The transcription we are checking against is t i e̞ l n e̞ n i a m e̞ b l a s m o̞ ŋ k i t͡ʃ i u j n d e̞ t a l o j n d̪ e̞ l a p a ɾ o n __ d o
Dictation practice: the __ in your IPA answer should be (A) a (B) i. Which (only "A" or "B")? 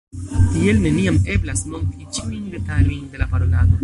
A